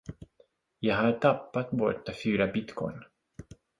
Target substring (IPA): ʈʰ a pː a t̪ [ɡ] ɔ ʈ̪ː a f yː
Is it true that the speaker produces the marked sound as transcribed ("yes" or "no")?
no